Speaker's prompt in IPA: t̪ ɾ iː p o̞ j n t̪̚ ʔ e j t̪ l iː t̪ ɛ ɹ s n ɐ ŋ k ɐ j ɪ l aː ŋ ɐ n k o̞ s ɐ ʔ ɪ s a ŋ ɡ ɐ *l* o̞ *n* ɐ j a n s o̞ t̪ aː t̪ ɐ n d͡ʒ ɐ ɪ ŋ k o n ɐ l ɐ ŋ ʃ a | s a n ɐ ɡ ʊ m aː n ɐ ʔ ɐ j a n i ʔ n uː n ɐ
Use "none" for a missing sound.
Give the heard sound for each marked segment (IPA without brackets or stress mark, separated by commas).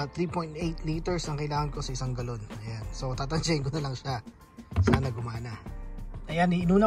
l, n